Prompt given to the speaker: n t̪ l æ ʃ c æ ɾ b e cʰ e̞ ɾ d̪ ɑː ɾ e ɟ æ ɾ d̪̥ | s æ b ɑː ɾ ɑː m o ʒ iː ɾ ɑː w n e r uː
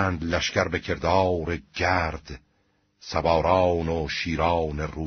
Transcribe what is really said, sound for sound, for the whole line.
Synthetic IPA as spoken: n d̪ l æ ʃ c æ ɾ b e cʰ e̞ ɾ d̪ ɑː ɾ e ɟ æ ɾ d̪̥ | s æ b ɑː ɾ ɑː n o ʃ iː ɾ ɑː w n e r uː